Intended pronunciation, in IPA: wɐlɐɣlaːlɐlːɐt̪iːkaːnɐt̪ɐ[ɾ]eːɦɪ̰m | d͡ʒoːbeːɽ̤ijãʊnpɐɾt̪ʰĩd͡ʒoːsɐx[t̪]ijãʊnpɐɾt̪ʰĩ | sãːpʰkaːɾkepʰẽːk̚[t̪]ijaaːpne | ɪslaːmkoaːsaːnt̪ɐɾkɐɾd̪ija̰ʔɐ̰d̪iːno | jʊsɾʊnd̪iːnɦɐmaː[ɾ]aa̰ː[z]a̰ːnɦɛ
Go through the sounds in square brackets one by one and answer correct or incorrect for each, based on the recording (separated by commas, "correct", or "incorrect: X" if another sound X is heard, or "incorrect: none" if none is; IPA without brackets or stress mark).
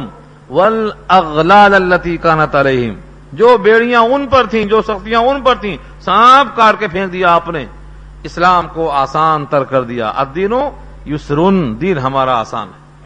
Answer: incorrect: l, correct, incorrect: d̪, correct, incorrect: s